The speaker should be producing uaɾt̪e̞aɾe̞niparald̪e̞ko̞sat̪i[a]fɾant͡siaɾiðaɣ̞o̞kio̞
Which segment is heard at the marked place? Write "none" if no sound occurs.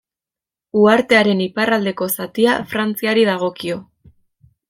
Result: a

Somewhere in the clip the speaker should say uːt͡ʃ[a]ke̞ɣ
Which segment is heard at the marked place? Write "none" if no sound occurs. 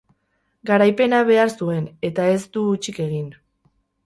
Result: i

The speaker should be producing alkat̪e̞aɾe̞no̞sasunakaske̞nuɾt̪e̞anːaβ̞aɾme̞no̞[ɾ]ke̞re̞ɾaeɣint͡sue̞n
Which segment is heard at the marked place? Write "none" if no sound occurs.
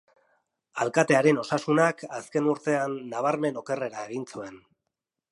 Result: none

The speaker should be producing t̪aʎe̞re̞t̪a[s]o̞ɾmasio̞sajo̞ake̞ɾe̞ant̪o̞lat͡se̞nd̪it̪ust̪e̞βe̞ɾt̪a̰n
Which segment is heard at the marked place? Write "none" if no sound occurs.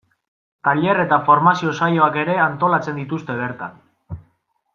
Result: f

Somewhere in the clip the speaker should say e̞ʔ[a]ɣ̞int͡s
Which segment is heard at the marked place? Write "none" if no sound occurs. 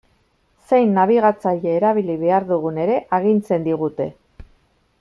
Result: a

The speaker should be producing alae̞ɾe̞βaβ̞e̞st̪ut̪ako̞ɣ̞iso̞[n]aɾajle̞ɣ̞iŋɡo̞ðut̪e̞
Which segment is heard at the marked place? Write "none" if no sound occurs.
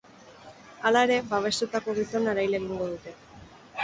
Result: n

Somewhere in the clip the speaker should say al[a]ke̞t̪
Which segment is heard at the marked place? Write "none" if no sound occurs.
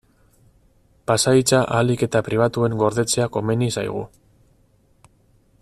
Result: i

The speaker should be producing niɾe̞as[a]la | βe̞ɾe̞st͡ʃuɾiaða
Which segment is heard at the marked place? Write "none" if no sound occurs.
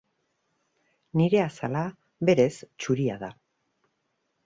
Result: a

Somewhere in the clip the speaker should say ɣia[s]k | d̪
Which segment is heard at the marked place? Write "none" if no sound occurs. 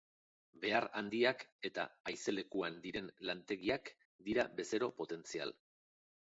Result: none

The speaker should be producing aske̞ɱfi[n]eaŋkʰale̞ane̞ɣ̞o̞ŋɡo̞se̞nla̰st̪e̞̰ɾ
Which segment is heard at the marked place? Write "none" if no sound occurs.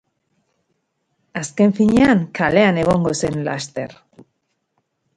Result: ɲ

